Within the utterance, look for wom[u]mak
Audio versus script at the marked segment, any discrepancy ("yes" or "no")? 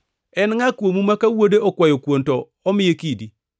no